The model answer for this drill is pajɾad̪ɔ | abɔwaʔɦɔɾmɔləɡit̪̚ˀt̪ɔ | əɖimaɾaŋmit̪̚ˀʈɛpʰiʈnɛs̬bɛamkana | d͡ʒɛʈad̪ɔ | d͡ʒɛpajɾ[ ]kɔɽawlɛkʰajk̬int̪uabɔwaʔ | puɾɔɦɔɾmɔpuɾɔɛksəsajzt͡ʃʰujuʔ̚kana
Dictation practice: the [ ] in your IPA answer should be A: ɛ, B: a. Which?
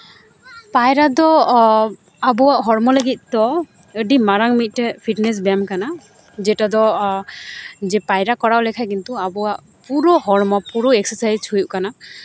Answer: B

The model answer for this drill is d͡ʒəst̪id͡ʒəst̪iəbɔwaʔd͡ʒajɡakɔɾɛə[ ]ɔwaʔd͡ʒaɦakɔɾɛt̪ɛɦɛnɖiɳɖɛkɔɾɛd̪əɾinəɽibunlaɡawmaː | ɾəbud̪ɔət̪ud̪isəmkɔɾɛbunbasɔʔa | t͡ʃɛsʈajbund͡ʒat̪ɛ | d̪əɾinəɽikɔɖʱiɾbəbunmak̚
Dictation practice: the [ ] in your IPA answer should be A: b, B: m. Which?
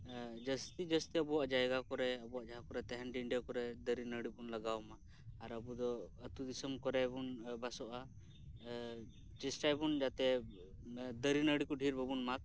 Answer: A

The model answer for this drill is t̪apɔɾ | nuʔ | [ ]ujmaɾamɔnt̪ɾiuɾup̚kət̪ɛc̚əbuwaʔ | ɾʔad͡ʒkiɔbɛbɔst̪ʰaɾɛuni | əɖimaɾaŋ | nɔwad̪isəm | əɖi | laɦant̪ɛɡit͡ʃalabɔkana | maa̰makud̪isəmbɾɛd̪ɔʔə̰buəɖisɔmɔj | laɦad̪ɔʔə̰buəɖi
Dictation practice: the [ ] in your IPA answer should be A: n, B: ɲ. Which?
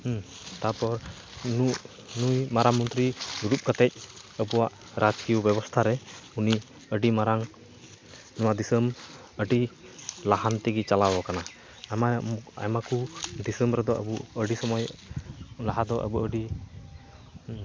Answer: A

